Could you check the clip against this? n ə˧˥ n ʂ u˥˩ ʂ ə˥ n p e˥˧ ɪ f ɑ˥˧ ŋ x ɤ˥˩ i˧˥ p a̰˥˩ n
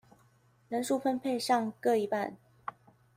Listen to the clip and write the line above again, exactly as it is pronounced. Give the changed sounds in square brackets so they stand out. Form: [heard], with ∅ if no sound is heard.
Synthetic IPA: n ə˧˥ n ʂ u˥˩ [f] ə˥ n [pʰ] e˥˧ ɪ [ʂ] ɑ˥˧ ŋ [k] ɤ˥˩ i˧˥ p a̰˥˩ n